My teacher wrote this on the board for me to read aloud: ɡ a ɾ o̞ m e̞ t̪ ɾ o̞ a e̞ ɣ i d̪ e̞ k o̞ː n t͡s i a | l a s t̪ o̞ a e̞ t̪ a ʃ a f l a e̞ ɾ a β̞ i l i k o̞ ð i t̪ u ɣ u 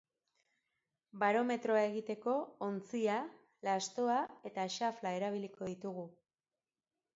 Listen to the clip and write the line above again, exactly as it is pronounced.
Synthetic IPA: b a ɾ o̞ m e̞ t̪ ɾ o̞ a e̞ ɣ i t̪ e̞ k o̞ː n t͡s i a | l a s t̪ o̞ a e̞ t̪ a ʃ a f l a e̞ ɾ a β̞ i l i k o̞ ð i t̪ u ɣ u